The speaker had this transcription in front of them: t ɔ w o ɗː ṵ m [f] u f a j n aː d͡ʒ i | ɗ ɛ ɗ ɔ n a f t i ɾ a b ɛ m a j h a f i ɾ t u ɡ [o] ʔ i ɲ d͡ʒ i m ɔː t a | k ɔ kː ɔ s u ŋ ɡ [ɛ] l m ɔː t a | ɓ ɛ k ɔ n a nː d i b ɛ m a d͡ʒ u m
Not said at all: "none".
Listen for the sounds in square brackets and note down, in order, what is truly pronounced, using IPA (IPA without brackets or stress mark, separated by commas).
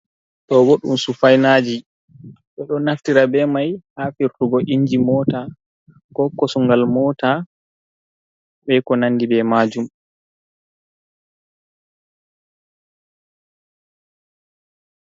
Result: s, ɔ, a